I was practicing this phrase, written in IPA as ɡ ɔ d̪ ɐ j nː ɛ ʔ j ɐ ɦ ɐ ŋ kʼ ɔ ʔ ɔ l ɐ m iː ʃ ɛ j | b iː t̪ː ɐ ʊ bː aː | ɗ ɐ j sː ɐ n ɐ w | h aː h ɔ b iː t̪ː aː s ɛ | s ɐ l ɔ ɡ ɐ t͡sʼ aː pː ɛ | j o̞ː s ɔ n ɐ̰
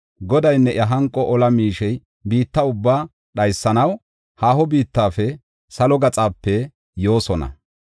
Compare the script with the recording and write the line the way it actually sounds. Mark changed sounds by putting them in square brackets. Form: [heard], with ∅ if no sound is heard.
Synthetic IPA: ɡ ɔ d̪ ɐ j nː ɛ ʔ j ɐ ɦ ɐ ŋ kʼ ɔ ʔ ɔ l ɐ m iː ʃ ɛ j | b iː t̪ː ɐ ʊ bː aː | ɗ ɐ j sː ɐ n ɐ w | h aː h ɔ b iː t̪ː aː [f] ɛ | s ɐ l ɔ ɡ ɐ t͡sʼ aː pː ɛ | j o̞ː s ɔ n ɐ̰